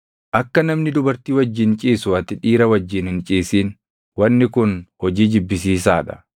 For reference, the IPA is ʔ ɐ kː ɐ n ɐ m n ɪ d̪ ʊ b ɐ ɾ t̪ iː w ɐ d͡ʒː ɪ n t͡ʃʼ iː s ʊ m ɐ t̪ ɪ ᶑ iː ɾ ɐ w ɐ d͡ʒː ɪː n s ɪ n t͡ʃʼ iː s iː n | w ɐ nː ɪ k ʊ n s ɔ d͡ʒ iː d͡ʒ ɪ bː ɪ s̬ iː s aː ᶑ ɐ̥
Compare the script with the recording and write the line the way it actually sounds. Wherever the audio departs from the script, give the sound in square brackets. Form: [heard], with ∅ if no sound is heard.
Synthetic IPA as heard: ʔ ɐ kː ɐ n ɐ m n ɪ d̪ ʊ b ɐ ɾ t̪ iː w ɐ d͡ʒː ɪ n t͡ʃʼ iː s ʊ [∅] ɐ t̪ ɪ ᶑ iː ɾ ɐ w ɐ d͡ʒː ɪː n [h] ɪ n t͡ʃʼ iː s iː n | w ɐ nː ɪ k ʊ n [h] ɔ d͡ʒ iː d͡ʒ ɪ bː ɪ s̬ iː s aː ᶑ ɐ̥